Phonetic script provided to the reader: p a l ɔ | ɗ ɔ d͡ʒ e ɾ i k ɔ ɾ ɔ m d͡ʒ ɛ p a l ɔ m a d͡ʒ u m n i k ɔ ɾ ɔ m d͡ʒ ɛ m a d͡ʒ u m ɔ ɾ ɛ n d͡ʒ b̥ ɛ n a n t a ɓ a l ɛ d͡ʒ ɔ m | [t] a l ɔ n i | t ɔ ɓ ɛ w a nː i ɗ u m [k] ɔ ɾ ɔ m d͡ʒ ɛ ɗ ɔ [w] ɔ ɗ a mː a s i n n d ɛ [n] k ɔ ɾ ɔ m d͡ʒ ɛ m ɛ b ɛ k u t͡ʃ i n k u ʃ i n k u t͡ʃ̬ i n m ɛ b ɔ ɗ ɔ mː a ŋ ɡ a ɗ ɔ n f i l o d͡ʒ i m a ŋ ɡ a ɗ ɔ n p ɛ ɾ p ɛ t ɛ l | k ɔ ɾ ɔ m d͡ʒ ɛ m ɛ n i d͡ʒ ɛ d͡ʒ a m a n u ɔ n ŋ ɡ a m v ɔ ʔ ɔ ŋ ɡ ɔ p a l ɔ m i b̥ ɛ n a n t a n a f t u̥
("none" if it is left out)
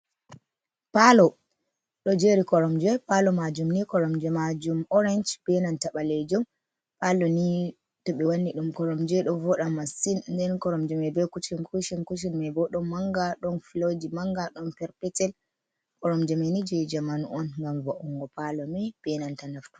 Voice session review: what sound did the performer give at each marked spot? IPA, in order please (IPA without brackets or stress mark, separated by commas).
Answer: p, k, v, n